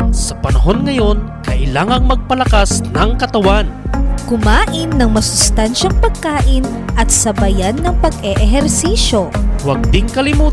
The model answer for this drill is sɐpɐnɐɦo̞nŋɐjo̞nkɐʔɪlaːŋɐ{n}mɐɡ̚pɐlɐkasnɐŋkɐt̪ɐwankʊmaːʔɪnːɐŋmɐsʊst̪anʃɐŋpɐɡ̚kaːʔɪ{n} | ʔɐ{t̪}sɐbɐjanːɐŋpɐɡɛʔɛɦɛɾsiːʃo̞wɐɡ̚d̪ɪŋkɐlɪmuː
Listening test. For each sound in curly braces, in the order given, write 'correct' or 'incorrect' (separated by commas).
incorrect, correct, correct